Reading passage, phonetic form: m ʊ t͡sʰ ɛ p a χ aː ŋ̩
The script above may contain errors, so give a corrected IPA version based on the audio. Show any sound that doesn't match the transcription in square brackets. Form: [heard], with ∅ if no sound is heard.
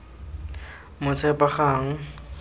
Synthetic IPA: m ʊ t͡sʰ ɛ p a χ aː ŋ̩